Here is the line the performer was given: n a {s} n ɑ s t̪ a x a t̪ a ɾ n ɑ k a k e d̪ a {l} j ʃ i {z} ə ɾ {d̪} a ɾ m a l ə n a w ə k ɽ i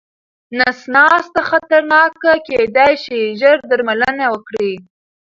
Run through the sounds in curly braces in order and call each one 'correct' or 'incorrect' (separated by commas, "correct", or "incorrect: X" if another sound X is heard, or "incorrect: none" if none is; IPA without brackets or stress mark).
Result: correct, incorrect: none, incorrect: ʒ, correct